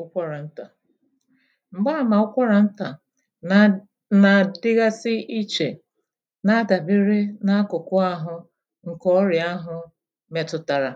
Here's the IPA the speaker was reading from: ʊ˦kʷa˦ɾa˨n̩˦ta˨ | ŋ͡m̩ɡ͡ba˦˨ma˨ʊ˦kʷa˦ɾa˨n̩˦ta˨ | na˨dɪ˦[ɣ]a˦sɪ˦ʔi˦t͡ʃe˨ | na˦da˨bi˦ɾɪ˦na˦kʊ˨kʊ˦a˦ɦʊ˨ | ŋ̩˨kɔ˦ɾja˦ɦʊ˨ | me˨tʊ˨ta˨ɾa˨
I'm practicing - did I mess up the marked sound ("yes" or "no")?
no